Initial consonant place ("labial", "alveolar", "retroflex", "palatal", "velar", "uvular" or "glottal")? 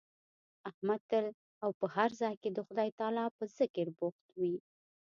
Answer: glottal